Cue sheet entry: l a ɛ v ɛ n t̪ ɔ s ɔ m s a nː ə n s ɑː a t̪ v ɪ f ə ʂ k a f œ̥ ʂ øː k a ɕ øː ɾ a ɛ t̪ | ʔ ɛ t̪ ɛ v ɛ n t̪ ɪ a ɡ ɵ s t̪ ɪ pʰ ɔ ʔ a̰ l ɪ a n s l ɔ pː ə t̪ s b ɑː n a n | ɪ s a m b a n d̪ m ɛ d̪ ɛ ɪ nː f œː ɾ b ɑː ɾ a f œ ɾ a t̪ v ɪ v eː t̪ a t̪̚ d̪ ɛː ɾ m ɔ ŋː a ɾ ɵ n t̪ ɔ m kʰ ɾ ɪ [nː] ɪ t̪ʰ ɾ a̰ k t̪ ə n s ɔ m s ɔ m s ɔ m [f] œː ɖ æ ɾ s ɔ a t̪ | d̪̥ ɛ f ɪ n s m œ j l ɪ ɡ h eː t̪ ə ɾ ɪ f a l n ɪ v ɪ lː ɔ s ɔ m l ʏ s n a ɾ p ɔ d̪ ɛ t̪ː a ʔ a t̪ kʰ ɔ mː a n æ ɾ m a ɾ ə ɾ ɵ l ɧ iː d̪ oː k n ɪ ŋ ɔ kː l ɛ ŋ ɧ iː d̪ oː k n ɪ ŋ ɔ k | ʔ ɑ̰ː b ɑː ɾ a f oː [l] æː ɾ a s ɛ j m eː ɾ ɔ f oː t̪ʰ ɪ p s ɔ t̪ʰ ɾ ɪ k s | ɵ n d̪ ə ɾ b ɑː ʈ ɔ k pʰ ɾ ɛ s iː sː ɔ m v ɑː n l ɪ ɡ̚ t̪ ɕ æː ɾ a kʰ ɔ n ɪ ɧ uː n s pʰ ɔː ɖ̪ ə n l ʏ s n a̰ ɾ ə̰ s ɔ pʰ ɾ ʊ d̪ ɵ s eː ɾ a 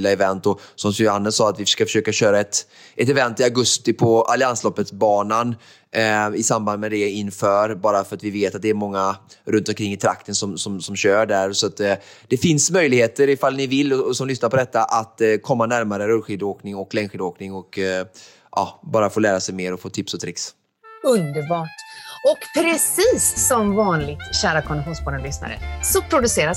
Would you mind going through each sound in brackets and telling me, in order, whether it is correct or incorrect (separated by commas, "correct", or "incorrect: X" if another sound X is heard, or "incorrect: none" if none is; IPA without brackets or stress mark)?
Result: incorrect: ŋː, incorrect: ɕ, correct